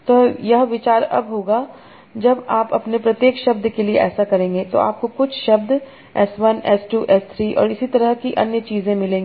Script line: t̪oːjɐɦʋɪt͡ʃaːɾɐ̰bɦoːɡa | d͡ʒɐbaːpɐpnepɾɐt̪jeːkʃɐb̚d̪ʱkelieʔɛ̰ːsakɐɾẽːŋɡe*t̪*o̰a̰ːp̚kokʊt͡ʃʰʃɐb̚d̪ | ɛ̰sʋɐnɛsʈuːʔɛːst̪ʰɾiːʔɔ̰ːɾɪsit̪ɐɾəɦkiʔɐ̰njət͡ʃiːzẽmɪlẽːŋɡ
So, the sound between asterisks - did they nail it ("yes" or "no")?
yes